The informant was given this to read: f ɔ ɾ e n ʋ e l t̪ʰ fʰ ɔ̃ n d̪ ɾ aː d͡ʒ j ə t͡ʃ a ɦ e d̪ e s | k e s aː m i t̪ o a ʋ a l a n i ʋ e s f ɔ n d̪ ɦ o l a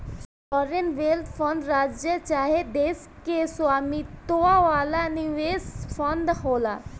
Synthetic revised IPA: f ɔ ɾ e n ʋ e l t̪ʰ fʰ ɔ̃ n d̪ ɾ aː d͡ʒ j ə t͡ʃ a ɦ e d̪ e s | k e s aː m i t̪ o a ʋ a l a n i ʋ e s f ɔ n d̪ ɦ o l a